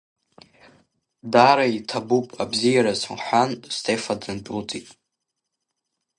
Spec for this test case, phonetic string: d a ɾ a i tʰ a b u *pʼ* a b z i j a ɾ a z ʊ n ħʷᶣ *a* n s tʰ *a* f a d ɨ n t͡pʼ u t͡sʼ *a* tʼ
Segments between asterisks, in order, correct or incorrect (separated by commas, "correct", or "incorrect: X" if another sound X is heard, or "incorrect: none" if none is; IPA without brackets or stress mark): correct, correct, incorrect: e, incorrect: i